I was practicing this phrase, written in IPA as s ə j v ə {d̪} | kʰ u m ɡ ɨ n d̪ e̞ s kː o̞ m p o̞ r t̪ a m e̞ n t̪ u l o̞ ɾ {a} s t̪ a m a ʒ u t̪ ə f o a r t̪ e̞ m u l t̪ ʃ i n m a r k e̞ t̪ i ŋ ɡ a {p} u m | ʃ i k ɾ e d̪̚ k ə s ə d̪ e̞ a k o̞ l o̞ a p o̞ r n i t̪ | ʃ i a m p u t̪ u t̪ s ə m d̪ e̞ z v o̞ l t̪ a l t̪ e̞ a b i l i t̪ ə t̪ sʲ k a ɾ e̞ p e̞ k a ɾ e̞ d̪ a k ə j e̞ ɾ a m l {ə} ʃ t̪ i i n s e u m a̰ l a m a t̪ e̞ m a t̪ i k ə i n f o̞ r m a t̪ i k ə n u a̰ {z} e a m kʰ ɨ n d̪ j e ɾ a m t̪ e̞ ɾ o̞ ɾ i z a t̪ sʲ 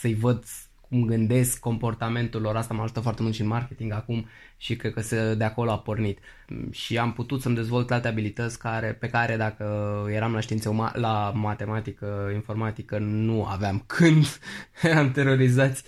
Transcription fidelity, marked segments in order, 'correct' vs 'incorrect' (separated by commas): correct, correct, incorrect, incorrect, incorrect